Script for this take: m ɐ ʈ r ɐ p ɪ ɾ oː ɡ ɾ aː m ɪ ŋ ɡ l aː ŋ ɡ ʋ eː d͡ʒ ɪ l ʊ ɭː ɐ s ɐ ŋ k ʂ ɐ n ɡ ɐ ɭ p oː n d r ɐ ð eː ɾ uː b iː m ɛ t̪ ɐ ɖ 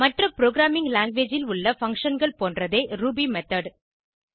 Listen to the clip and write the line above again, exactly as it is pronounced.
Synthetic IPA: m ɐ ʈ r ɐ p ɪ ɾ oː ɡ ɾ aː m ɪ ŋ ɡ l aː ŋ ɡ ʋ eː d͡ʒ ɪ l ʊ ɭː ɐ f ɐ ŋ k ʂ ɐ n ɡ ɐ ɭ p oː n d r ɐ ð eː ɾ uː b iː m ɛ t̪ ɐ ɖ

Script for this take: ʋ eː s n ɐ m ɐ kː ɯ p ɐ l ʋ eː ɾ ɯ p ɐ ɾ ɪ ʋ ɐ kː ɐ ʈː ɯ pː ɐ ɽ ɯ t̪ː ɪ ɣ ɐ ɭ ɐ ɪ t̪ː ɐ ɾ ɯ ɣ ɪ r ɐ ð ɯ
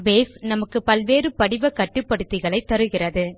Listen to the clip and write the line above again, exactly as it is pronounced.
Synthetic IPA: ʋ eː s n ɐ m ɐ kː ɯ p ɐ l ʋ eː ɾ ɯ p ɐ ɽ ɪ ʋ ɐ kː ɐ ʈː ɯ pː ɐ ɽ ɯ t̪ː ɪ ɣ ɐ ɭ ɐ ɪ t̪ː ɐ ɾ ɯ ɣ ɪ r ɐ ð ɯ

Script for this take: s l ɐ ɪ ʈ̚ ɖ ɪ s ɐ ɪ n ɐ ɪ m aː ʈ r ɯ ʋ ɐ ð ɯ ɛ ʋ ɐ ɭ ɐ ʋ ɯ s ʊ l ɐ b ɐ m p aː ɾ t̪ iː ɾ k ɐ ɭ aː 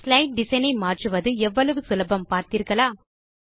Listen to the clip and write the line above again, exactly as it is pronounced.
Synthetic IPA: s l ɐ ɪ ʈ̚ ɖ ɪ s ɐ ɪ n ɐ ɪ m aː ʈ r ɯ ʋ ɐ ð ɯ ɛ ʋː ɐ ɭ ɐ ʋ ɯ s ʊ l ɐ b ɐ m p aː ɾ t̪ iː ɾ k ɐ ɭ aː

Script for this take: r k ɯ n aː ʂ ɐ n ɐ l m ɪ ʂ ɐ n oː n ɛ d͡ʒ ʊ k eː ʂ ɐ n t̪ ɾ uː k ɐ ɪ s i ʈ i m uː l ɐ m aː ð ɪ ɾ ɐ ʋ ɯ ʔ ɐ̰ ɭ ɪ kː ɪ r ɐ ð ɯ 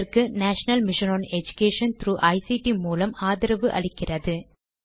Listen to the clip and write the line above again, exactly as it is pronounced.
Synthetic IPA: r k ɯ n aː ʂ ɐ n ɐ l m ɪ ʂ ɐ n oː n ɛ d͡ʒ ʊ k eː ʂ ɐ n t̪ ɾ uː ʔ ɐ ɪ s i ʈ i m uː l ɐ m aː ð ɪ ɾ ɐ ʋ ɯ ʔ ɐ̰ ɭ ɪ kː ɪ r ɐ ð ɯ

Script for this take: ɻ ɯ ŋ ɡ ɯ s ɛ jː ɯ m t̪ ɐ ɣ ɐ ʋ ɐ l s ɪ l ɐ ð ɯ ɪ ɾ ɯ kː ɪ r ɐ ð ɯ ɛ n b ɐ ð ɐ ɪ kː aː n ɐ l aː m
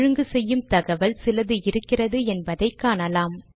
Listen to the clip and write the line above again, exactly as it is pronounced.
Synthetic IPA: ɻ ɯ ŋ ɡ ɯ s ɛ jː ɯ m t̪ ɐ ɣ ɐ ʋ ɐ l s ɪ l ɐ ð ɯ ɪ ɾ ɯ kː ɪ r ɐ ð ɯ ɛ n b ɐ ð ɐ ɪ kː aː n ɐ l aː m

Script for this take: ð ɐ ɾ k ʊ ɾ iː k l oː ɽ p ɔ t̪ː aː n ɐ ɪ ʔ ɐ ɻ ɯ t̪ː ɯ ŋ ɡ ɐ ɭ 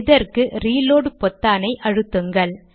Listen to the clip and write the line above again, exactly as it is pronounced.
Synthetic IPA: ð ɐ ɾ k ɯ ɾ iː l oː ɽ p ɔ t̪ː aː n ɐ ɪ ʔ ɐ ɻ ɯ t̪ː ɯ ŋ ɡ ɐ ɭ

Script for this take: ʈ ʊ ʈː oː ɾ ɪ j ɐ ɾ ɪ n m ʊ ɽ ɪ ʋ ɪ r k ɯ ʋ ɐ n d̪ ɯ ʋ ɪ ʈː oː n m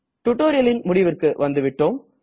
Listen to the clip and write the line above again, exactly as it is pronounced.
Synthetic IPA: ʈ ʊ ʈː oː ɾ ɪ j ɐ l ɪ n m ʊ ɽ ɪ ʋ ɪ r k ɯ ʋ ɐ n d̪ ɯ ʋ ɪ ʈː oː m

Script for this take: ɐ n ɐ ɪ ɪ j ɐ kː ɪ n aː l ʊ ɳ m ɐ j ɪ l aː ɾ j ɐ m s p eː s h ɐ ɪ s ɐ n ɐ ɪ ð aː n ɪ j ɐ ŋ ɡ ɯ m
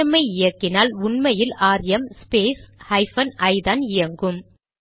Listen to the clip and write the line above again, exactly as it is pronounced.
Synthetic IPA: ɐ m ɐ ɪ ɪ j ɐ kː ɪ n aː l ʊ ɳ m ɐ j ɪ l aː ɾ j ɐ m s p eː s h ɐ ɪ f ɐ n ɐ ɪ ð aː n ɪ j ɐ ŋ ɡ ɯ m

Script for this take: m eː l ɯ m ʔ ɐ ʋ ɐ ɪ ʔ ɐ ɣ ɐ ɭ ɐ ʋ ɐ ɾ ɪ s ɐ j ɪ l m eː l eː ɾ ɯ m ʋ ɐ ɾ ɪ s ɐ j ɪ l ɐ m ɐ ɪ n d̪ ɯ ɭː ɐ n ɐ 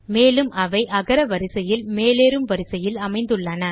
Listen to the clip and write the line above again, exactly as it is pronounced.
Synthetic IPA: m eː l ɯ m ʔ ɐ ʋ ɐ ɪ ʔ ɐ ɣ ɐ ɾ ɐ ʋ ɐ ɾ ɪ s ɐ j ɪ l m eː l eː ɾ ɯ m ʋ ɐ ɾ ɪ s ɐ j ɪ l ɐ m ɐ ɪ n d̪ ɯ ɭː ɐ n ɐ

